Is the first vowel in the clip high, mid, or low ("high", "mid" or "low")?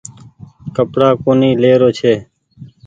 mid